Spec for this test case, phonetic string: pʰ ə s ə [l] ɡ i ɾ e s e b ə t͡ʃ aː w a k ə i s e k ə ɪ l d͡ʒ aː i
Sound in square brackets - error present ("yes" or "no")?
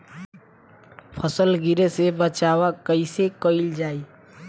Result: no